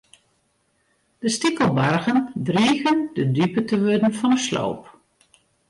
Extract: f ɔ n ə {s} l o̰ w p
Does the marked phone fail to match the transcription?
no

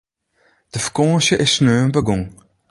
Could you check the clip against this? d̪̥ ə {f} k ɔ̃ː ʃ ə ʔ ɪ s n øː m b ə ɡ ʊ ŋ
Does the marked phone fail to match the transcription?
no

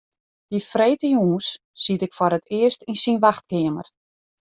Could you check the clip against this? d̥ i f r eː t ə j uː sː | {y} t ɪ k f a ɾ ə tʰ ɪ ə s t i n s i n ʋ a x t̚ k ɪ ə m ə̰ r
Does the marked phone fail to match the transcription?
yes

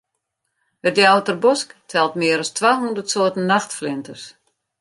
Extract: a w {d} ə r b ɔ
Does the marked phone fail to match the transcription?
yes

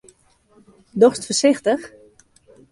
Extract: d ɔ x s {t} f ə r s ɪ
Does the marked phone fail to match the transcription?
no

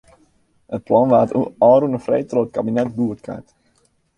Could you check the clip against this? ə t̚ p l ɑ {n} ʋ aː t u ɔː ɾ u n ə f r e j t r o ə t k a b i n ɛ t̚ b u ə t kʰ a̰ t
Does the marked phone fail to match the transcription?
no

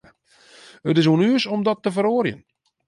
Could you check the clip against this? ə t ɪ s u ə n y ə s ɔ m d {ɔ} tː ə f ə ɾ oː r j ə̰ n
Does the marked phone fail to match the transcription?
no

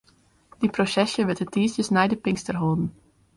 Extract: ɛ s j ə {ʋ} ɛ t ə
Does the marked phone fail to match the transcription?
no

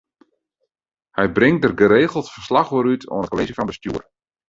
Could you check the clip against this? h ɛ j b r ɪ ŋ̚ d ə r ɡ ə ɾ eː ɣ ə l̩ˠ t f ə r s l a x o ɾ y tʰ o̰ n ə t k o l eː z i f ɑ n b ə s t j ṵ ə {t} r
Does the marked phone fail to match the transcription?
yes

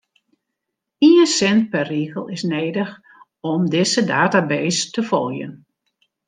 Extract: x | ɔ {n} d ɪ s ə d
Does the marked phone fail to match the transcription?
yes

